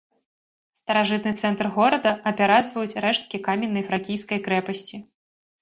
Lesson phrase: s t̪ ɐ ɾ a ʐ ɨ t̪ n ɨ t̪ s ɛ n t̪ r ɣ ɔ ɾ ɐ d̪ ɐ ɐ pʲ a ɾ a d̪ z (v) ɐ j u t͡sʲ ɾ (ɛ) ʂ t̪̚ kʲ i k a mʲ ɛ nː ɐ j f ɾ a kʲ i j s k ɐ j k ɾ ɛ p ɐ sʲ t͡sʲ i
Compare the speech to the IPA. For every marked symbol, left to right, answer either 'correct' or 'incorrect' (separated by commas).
correct, correct